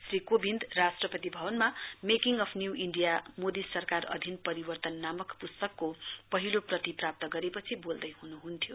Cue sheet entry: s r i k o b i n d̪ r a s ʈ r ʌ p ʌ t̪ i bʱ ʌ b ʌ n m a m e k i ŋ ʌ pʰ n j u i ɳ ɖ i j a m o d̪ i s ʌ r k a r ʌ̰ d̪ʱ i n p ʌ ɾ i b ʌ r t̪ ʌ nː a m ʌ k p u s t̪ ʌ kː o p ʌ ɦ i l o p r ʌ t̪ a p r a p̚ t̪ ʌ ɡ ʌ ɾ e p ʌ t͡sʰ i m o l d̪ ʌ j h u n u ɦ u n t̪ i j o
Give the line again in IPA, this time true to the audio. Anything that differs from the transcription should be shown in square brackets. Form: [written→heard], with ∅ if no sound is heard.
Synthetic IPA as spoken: s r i k o b i n d̪ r a s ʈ r ʌ p ʌ t̪ i bʱ ʌ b ʌ n m a m e k i ŋ ʌ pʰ n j u i ɳ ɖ i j a m o d̪ i s ʌ r k a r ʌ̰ d̪ʱ i n p ʌ ɾ i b ʌ r t̪ ʌ nː a m ʌ k p u s t̪ ʌ kː o p ʌ ɦ i l o p r ʌ t̪ [a→i] p r a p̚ t̪ ʌ ɡ ʌ ɾ e p ʌ t͡sʰ i [m→b] o l d̪ ʌ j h u n u ɦ u n [t̪→t̪ʰ] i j o